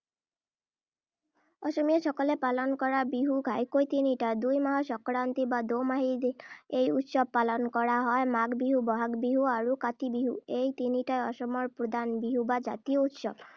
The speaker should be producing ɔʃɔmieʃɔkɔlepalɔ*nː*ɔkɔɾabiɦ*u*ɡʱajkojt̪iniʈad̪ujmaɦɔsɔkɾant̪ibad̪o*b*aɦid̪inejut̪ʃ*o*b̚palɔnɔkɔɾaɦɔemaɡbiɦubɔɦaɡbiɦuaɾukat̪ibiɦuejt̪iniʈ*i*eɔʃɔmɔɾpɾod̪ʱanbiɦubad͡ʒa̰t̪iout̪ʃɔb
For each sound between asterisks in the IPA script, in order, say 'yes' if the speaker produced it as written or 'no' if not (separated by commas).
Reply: no, yes, no, no, no